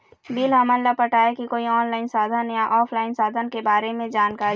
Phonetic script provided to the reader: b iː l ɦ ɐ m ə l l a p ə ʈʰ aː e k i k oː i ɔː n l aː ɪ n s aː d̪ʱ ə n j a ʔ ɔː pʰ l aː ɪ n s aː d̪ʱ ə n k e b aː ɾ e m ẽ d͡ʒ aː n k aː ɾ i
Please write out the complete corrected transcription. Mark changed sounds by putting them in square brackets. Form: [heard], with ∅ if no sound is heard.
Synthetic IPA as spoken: b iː l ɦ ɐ m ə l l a p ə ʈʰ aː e k i k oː i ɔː n l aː ɪ n s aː d̪ʱ ə n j a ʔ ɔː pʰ l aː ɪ n s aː d̪ʱ ə n k e b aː ɾ e m ẽ d͡ʒ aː n k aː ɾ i